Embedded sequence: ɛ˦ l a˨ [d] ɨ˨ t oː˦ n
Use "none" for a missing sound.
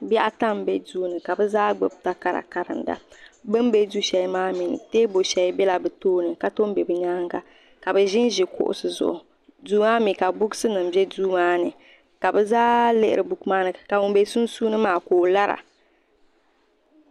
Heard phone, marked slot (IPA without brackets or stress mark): b